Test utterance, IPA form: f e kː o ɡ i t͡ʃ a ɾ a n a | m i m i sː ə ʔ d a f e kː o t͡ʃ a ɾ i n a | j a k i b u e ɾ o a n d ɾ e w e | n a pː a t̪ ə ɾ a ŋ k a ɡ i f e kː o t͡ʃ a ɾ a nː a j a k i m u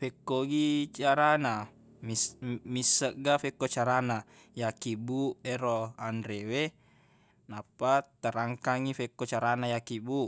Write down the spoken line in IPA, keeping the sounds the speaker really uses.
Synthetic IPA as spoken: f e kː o ɡ i t͡ʃ a ɾ a n a | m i m i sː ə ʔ ɡ a f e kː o t͡ʃ a ɾ a n a | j a k i b u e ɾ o a n d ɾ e w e | n a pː a t̪ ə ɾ a ŋ k a ŋ i f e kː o t͡ʃ a ɾ a n a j a k i b u